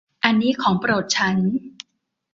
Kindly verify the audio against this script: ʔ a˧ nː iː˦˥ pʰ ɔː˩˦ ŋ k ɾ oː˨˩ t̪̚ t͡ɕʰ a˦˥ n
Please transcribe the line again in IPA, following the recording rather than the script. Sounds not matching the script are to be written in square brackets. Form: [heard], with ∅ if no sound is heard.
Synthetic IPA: ʔ a˧ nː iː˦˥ [kʰ] ɔː˩˦ ŋ [p] ɾ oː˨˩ t̪̚ t͡ɕʰ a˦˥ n